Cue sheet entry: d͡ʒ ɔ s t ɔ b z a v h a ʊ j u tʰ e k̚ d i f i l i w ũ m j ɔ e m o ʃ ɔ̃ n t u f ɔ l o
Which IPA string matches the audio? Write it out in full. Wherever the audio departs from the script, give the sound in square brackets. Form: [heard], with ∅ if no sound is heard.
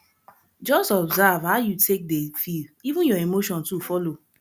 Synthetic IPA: d͡ʒ ɔ s t ɔ b z a v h a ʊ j u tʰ e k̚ d [e] f i l i [v] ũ [n] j ɔ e m o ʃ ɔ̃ n t u f ɔ l o